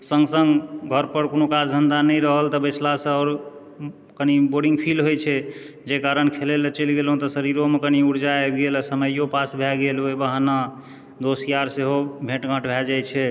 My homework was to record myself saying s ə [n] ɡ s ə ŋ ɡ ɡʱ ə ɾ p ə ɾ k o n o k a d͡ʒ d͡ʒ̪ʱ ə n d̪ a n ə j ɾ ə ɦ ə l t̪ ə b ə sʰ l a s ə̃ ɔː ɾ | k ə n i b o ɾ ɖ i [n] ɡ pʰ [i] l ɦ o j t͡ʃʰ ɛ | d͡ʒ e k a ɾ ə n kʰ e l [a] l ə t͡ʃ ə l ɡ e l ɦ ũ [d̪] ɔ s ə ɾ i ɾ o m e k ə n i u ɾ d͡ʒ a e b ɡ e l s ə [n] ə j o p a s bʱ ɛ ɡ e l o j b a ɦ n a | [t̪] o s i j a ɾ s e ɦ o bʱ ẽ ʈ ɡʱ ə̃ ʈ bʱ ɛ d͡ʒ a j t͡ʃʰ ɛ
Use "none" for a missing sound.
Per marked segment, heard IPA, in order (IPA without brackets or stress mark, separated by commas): ŋ, ŋ, i, e, t̪, m, d̪